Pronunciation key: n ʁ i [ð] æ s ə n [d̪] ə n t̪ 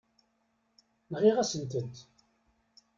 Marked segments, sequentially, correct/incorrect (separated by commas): incorrect, incorrect